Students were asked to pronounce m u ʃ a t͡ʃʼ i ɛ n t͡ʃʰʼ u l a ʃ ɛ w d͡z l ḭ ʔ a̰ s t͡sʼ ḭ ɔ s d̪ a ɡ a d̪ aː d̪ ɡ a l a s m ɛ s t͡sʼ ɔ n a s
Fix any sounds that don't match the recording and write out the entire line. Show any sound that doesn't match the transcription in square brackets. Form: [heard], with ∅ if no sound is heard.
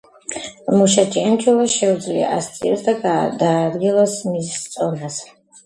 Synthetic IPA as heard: m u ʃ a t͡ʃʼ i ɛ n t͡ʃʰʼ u l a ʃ ɛ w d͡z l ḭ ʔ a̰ s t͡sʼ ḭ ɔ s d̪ a ɡ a d̪ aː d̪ ɡ [i] l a s m [i] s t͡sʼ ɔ n a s